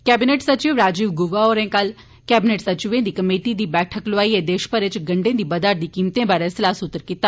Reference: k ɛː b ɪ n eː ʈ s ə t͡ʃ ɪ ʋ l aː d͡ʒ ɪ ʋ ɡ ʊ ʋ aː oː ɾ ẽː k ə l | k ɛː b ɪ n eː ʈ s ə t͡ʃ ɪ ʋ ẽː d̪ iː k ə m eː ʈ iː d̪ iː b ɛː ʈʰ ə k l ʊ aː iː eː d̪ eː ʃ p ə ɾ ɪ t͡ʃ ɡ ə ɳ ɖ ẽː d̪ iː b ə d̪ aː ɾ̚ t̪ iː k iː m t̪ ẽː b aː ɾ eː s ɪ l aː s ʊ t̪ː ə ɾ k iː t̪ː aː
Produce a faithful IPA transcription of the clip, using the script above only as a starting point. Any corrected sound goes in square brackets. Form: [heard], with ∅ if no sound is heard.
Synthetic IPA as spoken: k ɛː b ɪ n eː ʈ s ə t͡ʃ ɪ ʋ [ɾ] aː d͡ʒ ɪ ʋ ɡ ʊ ʋ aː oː ɾ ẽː k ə l | k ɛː b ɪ n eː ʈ s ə t͡ʃ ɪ ʋ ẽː d̪ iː k ə m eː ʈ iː d̪ iː b ɛː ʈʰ ə k l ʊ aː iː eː d̪ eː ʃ p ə ɾ ɪ t͡ʃ ɡ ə ɳ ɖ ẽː d̪ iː b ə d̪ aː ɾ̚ [d̪] iː k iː m t̪ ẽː b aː ɾ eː s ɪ l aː s ʊ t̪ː ə ɾ k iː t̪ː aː